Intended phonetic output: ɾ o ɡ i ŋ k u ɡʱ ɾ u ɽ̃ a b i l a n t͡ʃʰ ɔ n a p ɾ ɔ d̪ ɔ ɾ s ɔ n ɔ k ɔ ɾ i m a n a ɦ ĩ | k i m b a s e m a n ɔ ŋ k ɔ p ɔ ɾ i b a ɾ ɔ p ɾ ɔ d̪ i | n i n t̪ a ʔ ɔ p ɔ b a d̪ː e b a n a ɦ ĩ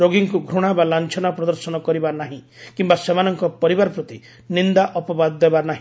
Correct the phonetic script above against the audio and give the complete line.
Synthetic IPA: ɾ o ɡ i ŋ k u ɡʱ ɾ u ɽ̃ a b a l a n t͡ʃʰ ɔ n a p ɾ ɔ d̪ ɔ ɾ s ɔ n ɔ k ɔ ɾ i b a n a ɦ ĩ | k i m b a s e m a n ɔ ŋ k ɔ p ɔ ɾ i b a ɾ ɔ p ɾ ɔ t̪ i | n i n d̪ a ʔ ɔ p ɔ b a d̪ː e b a n a ɦ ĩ

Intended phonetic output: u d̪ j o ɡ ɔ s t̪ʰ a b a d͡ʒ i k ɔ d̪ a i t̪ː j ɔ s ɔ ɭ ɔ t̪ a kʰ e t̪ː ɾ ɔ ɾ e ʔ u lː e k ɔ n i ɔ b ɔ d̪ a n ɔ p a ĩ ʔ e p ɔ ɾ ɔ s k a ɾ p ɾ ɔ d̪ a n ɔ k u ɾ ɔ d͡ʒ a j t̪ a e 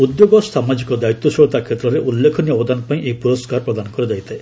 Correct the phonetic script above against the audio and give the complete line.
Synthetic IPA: u d̪ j o ɡ ɔ s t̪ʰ a m a d͡ʒ i k ɔ d̪ a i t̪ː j ɔ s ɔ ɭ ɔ t̪ a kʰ e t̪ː ɾ ɔ ɾ e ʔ u lː e kʰ ɔ n i ɔ b ɔ d̪ a n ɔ p a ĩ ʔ e p u ɾ ɔ s k a ɾ p ɾ ɔ d̪ a n ɔ k ɔ ɾ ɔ d͡ʒ a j t̪ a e

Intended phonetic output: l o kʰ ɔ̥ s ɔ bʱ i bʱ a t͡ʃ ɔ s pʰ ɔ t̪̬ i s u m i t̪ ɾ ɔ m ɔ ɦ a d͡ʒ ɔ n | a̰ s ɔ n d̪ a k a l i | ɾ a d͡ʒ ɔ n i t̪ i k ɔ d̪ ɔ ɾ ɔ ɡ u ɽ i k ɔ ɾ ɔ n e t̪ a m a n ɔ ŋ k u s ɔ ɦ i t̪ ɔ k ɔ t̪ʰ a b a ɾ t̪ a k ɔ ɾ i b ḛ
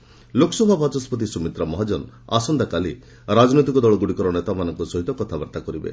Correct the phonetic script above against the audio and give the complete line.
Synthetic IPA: l o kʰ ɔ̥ s ɔ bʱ a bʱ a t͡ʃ ɔ s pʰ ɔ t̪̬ i s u m i t̪ ɾ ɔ m ɔ ɦ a d͡ʒ ɔ n | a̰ s ɔ n d̪ a k a l i | ɾ a d͡ʒ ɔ n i t̪ i k ɔ d̪ ɔ ɭ ɔ ɡ u ɽ i k ɔ ɾ ɔ n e t̪ a m a n ɔ ŋ k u s ɔ ɦ i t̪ ɔ k ɔ t̪ʰ a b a ɾ t̪ a k ɔ ɾ i b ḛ

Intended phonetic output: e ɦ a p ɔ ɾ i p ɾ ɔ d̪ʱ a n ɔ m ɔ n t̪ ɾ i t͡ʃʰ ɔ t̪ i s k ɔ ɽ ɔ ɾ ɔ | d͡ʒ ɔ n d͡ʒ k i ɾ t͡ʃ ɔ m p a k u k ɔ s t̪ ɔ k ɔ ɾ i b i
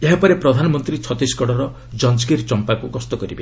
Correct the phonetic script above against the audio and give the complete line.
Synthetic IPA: e ɦ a p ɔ ɾ e p ɾ ɔ d̪ʱ a n ɔ m ɔ n t̪ ɾ i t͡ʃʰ ɔ t̪ i s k ɔ ɽ ɔ ɾ ɔ | d͡ʒ ɔ n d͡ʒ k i ɾ t͡ʃ ɔ m p a k u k ɔ s t̪ ɔ k ɔ ɾ i b e

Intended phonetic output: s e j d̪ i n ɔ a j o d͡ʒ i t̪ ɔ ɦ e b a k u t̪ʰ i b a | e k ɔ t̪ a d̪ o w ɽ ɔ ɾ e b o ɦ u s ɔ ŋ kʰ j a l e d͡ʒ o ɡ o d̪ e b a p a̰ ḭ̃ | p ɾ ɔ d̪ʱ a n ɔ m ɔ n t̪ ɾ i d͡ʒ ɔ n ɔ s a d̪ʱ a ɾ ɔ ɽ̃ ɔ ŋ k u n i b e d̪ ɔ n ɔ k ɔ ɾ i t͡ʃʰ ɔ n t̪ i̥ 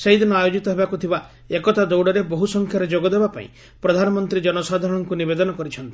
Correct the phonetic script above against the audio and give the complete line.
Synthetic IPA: s e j d̪ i n ɔ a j o d͡ʒ i t̪ ɔ ɦ e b a k u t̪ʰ i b a | e k ɔ t̪ a d̪ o w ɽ ɔ ɾ e b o ɦ u s ɔ ŋ kʰ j a ɾ e d͡ʒ o ɡ ɔ d̪ e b a p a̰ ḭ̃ | p ɾ ɔ d̪ʱ a n ɔ m ɔ n t̪ ɾ i d͡ʒ ɔ n ɔ s a d̪ʱ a ɾ ɔ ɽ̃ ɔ ŋ k u n i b e d̪ ɔ n ɔ k ɔ ɾ i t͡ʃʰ ɔ n t̪ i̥

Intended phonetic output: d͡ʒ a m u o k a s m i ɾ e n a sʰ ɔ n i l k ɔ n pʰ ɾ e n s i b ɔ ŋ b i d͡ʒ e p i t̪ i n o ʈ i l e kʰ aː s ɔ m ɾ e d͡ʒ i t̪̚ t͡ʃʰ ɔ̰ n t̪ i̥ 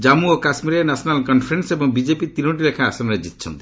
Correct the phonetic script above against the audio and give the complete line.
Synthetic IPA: d͡ʒ a m u o k a s m i ɾ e n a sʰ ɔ n a l k ɔ n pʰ ɾ e n s e b ɔ ŋ b i d͡ʒ e p i t̪ i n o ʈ i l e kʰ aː s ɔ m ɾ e d͡ʒ i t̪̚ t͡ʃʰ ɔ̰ n t̪ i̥

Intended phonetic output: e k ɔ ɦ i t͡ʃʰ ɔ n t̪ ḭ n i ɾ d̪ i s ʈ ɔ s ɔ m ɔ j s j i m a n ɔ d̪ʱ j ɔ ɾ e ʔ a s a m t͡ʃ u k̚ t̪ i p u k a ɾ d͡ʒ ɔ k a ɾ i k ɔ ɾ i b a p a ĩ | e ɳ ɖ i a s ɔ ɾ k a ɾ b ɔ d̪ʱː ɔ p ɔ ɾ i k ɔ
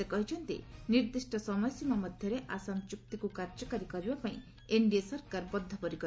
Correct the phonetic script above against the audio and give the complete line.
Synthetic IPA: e k ɔ ɦ i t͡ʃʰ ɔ n t̪ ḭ n i ɾ d̪ i s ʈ ɔ s ɔ m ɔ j s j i m a m ɔ d̪ʱ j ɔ ɾ e ʔ a s a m t͡ʃ u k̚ t̪ i k u k a ɾ d͡ʒ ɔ k a ɾ i k ɔ ɾ i b a p a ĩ | e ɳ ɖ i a s ɔ ɾ k a ɾ b ɔ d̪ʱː ɔ p ɔ ɾ i k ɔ

